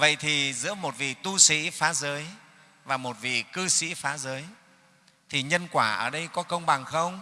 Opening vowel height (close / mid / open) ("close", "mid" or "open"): mid